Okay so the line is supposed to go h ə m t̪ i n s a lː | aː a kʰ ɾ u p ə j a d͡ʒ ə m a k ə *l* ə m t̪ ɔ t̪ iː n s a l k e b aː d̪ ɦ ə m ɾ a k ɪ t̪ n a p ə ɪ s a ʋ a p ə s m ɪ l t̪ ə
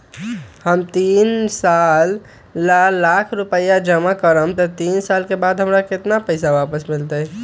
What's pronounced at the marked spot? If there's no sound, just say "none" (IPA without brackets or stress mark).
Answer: ɾ